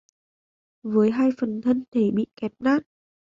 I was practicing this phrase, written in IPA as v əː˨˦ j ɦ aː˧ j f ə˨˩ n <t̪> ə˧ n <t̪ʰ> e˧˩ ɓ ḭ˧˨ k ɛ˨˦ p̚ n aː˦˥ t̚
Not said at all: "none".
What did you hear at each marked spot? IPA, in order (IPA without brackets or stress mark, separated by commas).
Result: t̪ʰ, t̪ʰ